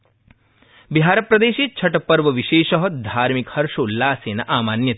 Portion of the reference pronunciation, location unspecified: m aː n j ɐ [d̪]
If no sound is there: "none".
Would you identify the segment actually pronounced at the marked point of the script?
t̪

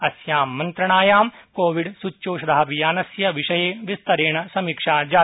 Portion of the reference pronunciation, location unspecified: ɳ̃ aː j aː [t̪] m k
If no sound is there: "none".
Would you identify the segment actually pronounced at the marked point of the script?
none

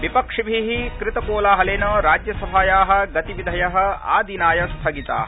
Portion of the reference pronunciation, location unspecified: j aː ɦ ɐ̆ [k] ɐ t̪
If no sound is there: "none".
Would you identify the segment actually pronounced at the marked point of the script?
ɡ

